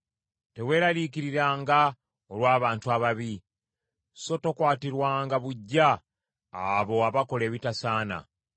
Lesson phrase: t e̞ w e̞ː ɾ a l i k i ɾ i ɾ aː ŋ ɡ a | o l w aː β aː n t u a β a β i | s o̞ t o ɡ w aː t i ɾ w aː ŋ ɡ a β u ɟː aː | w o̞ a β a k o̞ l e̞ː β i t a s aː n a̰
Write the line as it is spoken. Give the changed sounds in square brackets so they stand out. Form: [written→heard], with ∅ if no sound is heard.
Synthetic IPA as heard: t e̞ w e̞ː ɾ a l i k i ɾ i ɾ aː ŋ ɡ a | o l w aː β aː n t u a β a β i | s o̞ t o [ɡ→k] w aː t i ɾ w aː ŋ ɡ a β u ɟː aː | [w→β] o̞ a β a k o̞ l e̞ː β i t a s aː n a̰